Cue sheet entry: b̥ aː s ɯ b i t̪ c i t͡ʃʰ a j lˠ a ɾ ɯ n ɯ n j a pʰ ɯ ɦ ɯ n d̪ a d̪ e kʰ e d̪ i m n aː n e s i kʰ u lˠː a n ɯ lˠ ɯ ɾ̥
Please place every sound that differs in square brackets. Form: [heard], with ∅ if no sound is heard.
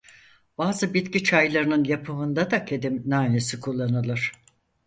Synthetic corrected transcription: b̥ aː [z] ɯ b i t̪ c i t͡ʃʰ a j lˠ a ɾ ɯ n ɯ n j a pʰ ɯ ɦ ɯ n d̪ a d̪ [a] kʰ e d̪ i m n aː n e s i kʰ u lˠː a n ɯ lˠ ɯ ɾ̥